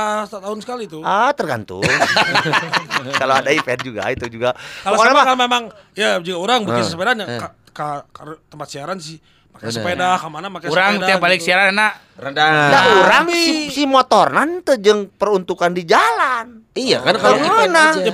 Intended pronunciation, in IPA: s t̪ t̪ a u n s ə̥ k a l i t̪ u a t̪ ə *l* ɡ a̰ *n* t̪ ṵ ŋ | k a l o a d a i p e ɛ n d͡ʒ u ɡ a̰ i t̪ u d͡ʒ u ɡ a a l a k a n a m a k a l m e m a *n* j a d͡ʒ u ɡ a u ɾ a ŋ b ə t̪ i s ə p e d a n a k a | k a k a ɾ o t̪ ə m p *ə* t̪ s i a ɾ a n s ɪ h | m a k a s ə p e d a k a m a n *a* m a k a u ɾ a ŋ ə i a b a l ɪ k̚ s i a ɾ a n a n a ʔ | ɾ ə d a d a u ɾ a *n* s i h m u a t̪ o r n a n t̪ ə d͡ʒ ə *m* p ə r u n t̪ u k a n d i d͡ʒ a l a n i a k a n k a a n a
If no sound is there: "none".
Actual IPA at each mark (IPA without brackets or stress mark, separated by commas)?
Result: r, n, ŋ, a, a, ŋ, ŋ